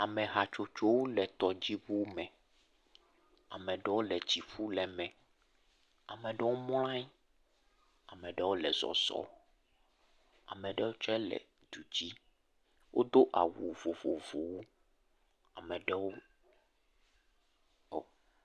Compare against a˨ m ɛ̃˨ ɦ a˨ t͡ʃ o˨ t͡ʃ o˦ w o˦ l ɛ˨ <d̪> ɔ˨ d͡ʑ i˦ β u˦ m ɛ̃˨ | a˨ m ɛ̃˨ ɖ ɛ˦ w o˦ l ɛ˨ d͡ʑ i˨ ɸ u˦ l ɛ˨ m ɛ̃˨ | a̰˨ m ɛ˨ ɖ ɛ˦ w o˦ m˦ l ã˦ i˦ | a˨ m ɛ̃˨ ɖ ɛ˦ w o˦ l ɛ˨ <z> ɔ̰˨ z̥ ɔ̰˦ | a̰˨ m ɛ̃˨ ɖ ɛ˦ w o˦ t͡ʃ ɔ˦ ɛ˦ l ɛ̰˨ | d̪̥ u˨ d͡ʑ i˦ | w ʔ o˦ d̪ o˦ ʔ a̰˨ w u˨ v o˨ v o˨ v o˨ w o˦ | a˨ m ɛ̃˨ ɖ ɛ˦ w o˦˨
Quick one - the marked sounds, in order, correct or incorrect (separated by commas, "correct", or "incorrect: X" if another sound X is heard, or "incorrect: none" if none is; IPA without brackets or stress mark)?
incorrect: t̪, correct